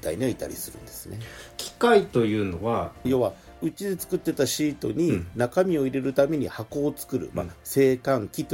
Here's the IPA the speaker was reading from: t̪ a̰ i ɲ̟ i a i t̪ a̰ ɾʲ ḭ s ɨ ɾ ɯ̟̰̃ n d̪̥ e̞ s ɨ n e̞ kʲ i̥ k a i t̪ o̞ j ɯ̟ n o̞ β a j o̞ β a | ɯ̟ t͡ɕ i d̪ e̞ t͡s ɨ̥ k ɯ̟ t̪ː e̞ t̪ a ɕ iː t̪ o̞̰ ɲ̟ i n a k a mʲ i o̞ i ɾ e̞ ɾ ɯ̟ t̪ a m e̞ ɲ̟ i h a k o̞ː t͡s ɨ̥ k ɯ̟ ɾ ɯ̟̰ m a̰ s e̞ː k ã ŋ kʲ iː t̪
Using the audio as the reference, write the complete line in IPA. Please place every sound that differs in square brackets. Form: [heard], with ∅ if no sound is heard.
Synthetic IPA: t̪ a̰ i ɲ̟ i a i t̪ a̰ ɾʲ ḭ s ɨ ɾ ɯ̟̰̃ n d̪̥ e̞ s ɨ n e̞ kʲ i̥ k a i t̪ o̞ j [ɯ̟ː] n o̞ β a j o̞ β a | ɯ̟ t͡ɕ i d̪ e̞ t͡s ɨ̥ k ɯ̟ t̪ː e̞ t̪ a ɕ iː t̪ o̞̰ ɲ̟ i n a k a mʲ i o̞ i ɾ e̞ ɾ ɯ̟ t̪ a m e̞ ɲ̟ i h a k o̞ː t͡s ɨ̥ k ɯ̟ ɾ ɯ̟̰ m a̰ s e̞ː k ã ŋ kʲ [i] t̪